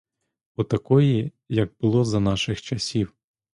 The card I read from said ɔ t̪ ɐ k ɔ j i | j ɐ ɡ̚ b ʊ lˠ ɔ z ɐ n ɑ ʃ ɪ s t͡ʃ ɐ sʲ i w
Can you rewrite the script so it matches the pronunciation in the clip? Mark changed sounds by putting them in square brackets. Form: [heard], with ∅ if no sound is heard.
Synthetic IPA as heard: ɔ t̪ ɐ k ɔ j i | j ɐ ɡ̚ b ʊ lˠ ɔ z ɐ n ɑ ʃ ɪ [x] t͡ʃ ɐ sʲ i w